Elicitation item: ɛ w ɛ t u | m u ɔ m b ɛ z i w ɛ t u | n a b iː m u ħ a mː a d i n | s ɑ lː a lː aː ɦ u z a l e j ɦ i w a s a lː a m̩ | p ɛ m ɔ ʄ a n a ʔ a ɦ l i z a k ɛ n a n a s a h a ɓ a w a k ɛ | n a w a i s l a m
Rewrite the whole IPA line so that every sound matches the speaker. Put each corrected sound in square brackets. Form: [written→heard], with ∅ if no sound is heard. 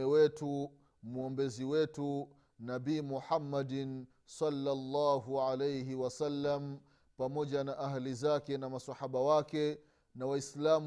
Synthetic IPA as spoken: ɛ w ɛ t u | m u ɔ m b ɛ z i w ɛ t u | n a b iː m u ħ a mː a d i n | s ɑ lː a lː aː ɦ u [z→ʕ] a l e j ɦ i w a s a lː a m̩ | p [ɛ→a] m ɔ ʄ a n a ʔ a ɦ l i z a k ɛ n a [n→m] a s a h a ɓ a w a k ɛ | n a w a i s l a m